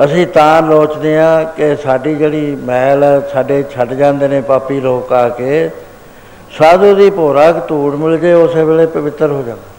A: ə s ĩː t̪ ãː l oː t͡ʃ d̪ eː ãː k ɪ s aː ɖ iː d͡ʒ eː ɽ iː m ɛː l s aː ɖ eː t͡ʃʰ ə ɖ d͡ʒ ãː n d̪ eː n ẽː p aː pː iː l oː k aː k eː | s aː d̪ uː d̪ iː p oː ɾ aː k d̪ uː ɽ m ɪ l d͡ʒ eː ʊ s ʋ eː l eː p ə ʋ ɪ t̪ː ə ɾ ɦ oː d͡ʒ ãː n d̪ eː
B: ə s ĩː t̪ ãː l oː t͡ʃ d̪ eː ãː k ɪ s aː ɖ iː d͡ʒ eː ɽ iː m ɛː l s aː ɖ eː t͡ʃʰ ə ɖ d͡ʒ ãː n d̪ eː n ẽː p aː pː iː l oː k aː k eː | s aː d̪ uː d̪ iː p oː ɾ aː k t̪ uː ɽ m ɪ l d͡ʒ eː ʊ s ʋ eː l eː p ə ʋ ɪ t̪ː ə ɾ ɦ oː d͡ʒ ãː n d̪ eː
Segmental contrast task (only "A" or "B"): B